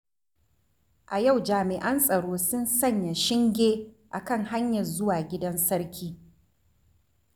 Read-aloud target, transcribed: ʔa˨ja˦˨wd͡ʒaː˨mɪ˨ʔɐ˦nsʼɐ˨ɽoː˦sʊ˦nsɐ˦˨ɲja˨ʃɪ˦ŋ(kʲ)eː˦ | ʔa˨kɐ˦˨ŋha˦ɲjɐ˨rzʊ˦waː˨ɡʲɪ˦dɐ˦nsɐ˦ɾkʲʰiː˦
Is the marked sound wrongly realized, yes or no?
yes